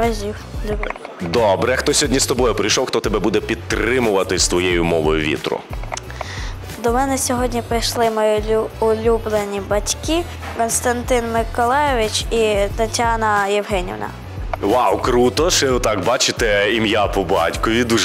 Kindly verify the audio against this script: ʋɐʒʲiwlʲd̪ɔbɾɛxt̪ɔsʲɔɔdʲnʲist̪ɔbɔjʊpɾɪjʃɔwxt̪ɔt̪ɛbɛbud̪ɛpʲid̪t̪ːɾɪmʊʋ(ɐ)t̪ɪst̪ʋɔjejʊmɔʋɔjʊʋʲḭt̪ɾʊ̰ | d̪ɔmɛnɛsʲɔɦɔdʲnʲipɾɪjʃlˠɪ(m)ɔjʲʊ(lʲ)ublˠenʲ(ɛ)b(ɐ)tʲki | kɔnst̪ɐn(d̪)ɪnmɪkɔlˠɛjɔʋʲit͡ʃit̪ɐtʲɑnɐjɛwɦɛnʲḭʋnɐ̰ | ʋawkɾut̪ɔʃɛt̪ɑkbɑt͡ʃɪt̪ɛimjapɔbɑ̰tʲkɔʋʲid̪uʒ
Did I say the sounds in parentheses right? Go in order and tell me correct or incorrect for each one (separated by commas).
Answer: correct, correct, correct, incorrect, correct, incorrect